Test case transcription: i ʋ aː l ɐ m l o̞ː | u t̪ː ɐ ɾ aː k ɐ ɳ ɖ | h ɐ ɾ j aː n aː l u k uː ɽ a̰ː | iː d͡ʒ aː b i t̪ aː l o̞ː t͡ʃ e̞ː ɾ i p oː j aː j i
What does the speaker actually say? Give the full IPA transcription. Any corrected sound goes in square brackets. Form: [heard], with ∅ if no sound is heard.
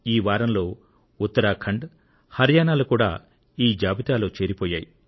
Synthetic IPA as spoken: [iː] ʋ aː [ɾ] ɐ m l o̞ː | u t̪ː ɐ ɾ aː [kʰ] ɐ ɳ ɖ | h ɐ ɾ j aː n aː l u k uː ɽ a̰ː | iː d͡ʒ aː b i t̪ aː l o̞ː t͡ʃ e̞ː ɾ i p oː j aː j i